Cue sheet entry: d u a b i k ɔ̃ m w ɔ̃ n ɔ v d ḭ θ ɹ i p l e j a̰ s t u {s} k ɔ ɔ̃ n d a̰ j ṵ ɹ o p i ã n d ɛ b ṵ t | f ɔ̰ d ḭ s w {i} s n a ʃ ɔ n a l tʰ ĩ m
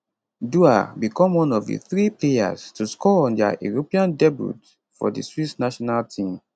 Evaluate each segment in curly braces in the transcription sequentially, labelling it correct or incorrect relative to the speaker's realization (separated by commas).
correct, correct